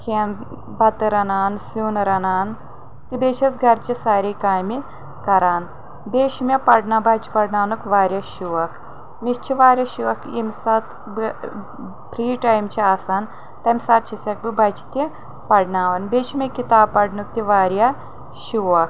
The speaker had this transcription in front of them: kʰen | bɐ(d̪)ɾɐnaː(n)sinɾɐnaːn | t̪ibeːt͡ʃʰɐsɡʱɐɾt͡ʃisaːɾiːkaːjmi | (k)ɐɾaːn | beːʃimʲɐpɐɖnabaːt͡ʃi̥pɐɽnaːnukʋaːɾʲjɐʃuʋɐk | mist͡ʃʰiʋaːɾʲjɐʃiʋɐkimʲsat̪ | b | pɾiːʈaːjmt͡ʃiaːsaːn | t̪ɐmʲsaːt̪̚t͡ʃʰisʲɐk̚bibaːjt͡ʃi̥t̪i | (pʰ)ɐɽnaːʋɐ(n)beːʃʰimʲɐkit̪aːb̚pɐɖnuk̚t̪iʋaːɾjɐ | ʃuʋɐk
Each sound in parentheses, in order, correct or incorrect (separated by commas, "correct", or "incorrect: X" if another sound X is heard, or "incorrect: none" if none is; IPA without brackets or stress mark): incorrect: t̪, correct, correct, incorrect: p, correct